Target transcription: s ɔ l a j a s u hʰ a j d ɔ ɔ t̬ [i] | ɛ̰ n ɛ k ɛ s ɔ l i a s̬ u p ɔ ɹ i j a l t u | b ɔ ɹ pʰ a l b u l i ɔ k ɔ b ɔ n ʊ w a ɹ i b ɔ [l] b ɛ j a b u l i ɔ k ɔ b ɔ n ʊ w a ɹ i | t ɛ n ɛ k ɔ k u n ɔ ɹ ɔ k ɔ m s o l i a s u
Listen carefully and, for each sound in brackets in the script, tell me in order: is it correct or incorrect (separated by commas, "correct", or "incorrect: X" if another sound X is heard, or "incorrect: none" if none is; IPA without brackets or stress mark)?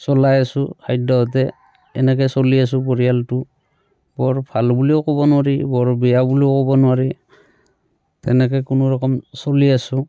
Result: incorrect: ɛ, incorrect: ɹ